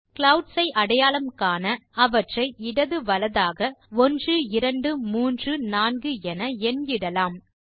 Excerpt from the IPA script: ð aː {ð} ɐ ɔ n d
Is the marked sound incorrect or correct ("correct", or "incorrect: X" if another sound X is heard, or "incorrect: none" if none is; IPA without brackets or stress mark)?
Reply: incorrect: ɣ